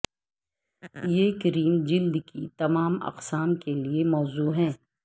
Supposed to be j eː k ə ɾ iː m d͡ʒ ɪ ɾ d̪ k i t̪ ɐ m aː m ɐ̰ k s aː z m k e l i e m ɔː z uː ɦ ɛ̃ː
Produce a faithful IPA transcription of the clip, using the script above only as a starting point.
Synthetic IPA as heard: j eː k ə ɾ iː m d͡ʒ ɪ l d̪ k i t̪ ɐ m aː m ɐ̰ q s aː m k e l i e m ɔː z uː ɦ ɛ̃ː